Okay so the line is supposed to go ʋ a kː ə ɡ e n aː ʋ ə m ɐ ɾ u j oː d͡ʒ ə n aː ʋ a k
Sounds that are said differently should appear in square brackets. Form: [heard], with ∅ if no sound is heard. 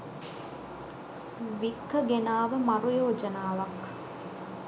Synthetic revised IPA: ʋ [i] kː ə ɡ e n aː ʋ ə m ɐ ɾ u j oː d͡ʒ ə n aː ʋ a k